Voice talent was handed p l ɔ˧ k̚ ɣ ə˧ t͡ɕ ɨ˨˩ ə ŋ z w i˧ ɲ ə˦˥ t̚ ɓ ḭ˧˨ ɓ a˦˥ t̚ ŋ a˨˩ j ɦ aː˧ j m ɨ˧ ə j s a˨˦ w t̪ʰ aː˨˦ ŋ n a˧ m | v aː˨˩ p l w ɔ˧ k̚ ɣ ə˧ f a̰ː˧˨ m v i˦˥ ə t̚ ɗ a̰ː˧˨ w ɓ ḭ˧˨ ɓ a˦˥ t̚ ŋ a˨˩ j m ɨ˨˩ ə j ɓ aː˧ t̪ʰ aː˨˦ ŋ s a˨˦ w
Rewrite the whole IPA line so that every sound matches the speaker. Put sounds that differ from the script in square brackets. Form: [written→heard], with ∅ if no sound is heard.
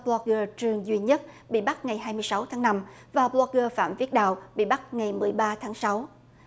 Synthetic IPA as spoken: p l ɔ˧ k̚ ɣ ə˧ t͡ɕ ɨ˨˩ ə ŋ z w i˧ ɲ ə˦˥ t̚ ɓ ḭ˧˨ ɓ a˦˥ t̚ ŋ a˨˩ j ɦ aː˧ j m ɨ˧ ə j s a˨˦ w t̪ʰ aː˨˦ ŋ n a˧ m | v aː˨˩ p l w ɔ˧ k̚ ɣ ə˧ f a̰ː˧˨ m v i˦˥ ə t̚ ɗ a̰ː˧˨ w ɓ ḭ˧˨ ɓ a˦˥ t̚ ŋ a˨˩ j m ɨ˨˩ ə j ɓ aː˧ t̪ʰ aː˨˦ ŋ s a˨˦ w